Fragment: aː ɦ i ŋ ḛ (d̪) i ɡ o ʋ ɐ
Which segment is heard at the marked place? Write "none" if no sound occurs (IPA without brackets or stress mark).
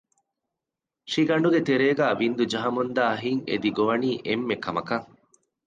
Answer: d̪